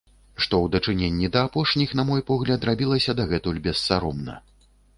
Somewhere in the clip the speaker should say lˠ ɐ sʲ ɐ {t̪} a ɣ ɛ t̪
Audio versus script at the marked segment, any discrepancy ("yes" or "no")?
yes